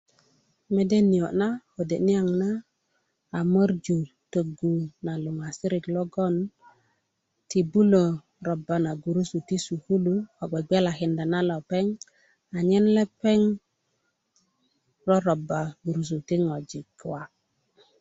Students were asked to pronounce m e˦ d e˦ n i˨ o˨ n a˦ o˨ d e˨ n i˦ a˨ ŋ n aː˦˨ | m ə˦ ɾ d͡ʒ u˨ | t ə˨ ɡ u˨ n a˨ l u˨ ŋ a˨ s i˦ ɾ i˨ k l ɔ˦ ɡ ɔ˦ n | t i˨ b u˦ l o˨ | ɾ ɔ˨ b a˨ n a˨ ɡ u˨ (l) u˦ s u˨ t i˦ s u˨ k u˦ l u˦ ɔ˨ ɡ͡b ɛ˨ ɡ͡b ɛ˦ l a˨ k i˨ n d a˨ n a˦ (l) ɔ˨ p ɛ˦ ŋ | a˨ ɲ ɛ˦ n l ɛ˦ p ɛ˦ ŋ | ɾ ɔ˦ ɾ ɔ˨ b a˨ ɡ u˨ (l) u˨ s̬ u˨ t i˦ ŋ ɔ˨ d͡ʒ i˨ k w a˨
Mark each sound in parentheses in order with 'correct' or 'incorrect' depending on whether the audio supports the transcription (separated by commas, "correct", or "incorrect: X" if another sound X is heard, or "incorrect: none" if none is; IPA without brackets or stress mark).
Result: incorrect: ɾ, correct, incorrect: ɾ